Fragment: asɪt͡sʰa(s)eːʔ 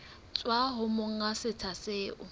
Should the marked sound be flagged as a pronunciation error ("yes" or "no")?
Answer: no